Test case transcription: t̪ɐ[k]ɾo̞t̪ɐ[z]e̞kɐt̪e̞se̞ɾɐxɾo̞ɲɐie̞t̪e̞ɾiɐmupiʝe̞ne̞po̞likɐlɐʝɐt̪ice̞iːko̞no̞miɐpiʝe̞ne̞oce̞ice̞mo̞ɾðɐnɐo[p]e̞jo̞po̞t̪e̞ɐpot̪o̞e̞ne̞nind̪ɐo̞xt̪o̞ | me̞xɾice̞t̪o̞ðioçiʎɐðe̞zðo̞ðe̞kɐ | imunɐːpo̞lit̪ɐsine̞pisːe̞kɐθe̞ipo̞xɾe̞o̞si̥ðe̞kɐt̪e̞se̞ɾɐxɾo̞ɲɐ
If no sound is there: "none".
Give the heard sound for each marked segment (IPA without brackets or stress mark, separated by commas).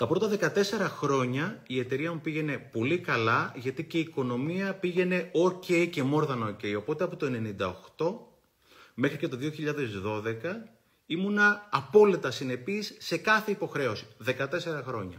p, ð, c